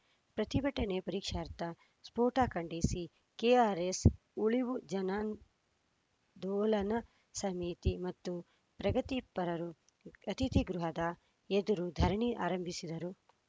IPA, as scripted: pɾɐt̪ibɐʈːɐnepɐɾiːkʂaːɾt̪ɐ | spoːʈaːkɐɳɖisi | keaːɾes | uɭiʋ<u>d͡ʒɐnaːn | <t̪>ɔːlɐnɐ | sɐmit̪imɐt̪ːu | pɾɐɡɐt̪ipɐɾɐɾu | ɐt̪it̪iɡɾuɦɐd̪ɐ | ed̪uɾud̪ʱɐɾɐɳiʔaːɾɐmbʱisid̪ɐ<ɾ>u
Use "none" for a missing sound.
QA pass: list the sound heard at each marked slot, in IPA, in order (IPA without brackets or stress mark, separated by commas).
u, d̪, ɾ